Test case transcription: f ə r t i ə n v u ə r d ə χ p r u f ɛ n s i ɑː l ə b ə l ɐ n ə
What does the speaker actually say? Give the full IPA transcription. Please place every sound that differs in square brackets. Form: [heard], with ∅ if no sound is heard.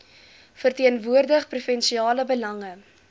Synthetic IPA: f ə r t i ə n v u ə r d ə χ p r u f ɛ n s i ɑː l ə b ə l ɐ [ŋ] ə